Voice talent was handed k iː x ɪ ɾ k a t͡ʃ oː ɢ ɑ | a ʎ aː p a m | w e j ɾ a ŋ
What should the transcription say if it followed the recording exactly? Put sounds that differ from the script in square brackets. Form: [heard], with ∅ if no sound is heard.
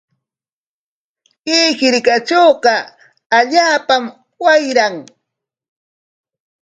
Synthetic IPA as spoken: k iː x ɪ ɾ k a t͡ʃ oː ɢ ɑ | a ʎ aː p a m | w [a] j ɾ a ŋ